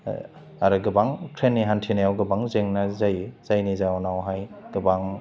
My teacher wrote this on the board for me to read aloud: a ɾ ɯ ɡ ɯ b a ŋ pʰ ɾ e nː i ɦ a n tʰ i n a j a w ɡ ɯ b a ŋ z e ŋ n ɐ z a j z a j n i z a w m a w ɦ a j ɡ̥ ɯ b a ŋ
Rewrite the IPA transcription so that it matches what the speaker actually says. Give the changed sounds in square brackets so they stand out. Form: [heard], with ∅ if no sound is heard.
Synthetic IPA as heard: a ɾ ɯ ɡ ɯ b a ŋ [kʰ] ɾ e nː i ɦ a n tʰ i n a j a w ɡ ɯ b a ŋ z e ŋ n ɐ z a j z a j n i z a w [n] a w ɦ a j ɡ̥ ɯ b a ŋ